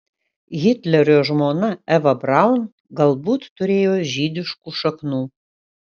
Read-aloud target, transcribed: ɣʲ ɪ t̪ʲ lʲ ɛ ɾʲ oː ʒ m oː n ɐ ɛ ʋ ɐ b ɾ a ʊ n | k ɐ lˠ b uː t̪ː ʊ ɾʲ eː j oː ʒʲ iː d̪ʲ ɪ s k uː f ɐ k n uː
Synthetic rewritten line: ɣʲ ɪ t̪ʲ lʲ ɛ ɾʲ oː ʒ m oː n ɐ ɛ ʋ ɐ b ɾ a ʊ n | ɡ ɐ lˠ b uː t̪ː ʊ ɾʲ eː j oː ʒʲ iː d̪ʲ ɪ ʃ k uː ʃ ɐ k n uː